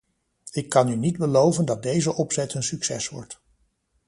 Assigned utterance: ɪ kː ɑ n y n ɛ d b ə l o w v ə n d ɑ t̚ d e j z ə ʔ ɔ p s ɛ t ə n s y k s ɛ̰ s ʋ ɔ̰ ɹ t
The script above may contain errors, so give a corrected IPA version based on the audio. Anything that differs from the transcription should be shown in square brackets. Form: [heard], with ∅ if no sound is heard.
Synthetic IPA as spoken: ɪ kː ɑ n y n [i] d b ə l o w v ə n d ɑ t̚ d e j z ə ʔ ɔ p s ɛ t ə n s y k s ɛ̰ s ʋ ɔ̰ ɹ t